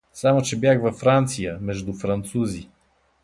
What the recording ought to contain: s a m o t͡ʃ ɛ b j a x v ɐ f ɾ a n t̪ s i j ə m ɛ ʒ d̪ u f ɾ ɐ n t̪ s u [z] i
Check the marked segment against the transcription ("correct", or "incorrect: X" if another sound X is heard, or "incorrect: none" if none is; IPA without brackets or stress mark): correct